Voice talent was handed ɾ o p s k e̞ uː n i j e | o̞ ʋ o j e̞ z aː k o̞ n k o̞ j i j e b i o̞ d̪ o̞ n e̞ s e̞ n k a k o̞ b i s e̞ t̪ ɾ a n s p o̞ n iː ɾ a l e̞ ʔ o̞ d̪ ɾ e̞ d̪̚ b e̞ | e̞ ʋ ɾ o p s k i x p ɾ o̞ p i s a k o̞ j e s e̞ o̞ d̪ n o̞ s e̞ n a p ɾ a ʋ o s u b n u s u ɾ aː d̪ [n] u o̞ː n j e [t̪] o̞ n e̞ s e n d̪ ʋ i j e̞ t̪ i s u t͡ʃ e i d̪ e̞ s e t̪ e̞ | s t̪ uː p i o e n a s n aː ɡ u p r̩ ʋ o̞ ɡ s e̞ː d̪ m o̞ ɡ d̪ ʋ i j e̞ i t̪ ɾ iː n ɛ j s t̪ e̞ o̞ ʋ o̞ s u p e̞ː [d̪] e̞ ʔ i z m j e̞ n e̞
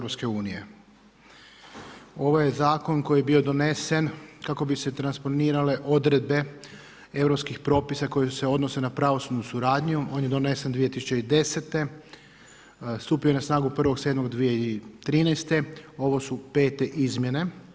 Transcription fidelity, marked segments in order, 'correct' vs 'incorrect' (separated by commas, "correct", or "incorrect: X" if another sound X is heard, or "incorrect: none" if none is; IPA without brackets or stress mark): incorrect: ɲ, incorrect: d̪, incorrect: t̪